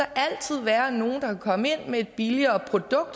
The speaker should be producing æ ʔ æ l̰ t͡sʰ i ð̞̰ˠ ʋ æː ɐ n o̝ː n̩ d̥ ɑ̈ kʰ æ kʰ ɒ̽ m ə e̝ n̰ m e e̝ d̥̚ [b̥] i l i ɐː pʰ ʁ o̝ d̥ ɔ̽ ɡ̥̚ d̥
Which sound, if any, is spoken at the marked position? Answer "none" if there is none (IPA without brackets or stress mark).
b̥